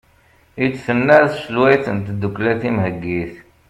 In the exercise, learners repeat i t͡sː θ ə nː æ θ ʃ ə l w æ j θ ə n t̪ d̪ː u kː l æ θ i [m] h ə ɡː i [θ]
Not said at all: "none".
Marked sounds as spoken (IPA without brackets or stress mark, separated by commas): m, θ